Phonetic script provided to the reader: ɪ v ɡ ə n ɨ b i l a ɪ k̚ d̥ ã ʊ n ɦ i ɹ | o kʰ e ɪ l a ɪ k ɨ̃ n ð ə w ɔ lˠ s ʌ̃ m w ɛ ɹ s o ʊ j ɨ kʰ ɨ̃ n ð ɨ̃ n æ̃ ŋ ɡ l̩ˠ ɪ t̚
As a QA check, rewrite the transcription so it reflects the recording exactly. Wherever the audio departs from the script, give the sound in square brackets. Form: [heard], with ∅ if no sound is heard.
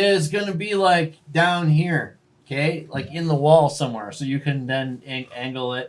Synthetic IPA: ɪ [z] ɡ [ʌ] n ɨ b i l a ɪ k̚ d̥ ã [ʊ̃] n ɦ i ɹ | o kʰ e ɪ l a ɪ k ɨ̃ n ð ə w ɔ lˠ s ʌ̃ m w ɛ ɹ s o ʊ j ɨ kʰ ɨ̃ n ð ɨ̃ n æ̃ ŋ ɡ l̩ˠ ɪ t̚